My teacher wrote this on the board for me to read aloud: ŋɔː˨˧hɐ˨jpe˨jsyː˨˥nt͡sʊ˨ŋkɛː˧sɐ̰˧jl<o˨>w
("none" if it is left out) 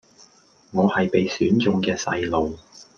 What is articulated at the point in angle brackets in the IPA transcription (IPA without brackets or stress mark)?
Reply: o˨